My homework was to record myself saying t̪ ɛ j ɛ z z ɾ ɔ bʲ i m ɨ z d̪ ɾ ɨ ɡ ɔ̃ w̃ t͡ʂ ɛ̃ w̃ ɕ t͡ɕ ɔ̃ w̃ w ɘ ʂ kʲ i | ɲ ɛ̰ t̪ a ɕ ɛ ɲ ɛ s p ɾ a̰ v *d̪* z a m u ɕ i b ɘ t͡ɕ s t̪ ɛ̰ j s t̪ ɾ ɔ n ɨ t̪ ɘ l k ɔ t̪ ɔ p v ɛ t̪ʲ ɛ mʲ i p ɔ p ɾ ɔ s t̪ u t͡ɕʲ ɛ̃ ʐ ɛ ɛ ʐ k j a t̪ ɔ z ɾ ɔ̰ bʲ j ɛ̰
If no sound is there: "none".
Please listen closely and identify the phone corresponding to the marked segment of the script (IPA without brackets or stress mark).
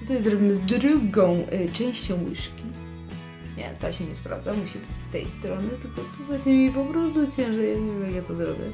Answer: d̪